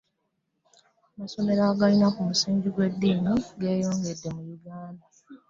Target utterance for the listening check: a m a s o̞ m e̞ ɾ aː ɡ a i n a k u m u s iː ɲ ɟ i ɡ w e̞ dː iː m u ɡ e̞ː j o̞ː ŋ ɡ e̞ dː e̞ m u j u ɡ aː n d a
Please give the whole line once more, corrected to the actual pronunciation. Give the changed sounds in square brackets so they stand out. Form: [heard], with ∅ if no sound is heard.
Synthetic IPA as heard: a m a s o̞ m e̞ ɾ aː ɡ a i n a k u m u s iː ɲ ɟ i ɡ w e̞ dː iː m u ɡ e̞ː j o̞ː ŋ ɡ e̞ dː e̞ m u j u ɡ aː n d a